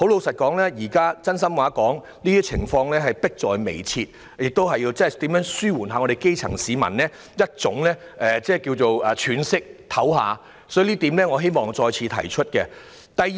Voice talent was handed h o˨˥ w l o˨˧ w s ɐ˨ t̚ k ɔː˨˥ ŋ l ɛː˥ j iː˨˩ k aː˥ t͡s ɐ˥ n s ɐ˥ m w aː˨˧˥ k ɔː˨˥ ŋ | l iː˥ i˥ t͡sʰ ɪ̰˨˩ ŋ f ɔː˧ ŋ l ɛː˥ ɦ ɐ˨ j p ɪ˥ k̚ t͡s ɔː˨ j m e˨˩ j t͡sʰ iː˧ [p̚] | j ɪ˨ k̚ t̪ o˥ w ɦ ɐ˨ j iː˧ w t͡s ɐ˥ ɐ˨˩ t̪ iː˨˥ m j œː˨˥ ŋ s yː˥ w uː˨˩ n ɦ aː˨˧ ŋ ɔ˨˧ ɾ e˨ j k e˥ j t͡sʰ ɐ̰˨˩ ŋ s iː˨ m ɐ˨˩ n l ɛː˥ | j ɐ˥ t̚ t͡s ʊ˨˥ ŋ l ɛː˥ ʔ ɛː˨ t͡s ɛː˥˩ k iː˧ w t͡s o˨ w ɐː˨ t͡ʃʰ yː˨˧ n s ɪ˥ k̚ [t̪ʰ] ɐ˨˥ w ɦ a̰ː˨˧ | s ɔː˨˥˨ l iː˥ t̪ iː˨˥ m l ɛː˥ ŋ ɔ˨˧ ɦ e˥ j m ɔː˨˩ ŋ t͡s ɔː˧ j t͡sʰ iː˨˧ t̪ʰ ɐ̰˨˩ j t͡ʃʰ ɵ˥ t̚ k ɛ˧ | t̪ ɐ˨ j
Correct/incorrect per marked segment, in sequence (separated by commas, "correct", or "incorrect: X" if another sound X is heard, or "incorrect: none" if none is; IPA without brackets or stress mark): incorrect: t̚, correct